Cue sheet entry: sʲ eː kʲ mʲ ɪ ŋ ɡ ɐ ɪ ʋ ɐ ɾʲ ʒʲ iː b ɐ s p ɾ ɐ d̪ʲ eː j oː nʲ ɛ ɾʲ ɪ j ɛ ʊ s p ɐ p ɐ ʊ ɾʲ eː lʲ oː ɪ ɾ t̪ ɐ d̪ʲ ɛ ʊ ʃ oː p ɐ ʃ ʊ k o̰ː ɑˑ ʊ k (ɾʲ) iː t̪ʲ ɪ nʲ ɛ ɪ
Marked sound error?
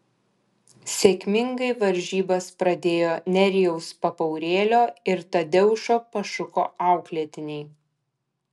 yes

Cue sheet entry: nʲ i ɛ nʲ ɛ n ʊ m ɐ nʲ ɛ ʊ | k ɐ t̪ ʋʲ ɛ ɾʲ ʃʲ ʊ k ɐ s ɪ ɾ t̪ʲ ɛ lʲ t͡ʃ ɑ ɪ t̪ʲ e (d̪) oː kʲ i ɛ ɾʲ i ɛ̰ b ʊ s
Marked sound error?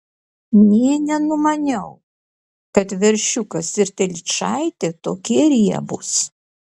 yes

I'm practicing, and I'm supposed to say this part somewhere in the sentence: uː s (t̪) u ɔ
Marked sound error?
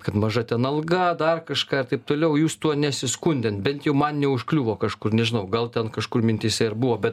no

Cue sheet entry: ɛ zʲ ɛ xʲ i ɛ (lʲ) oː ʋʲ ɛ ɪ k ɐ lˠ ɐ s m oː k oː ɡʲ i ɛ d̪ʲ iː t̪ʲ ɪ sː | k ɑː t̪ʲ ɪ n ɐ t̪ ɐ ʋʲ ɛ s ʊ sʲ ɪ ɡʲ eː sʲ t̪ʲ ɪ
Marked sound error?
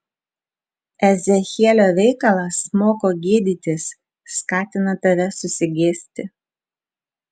no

